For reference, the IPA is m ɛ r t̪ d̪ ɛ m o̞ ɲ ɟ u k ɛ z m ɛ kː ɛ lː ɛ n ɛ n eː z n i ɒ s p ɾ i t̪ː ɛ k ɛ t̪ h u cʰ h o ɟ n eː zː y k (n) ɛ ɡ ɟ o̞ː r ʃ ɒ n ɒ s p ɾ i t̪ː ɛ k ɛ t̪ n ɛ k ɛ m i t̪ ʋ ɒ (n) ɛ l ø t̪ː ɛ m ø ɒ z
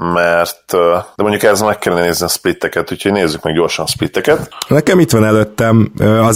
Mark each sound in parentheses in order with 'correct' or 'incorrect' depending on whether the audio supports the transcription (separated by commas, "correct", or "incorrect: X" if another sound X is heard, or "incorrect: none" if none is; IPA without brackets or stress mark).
incorrect: m, correct